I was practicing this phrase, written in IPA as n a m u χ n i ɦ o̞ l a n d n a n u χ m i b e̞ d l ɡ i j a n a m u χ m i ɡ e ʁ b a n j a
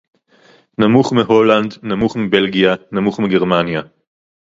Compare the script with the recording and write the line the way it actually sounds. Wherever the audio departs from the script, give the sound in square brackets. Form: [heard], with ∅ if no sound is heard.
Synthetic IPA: n a m u χ [m] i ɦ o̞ l a n d n a [m] u χ m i b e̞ [∅] l ɡ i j a n a m u χ m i ɡ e ʁ [m] a n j a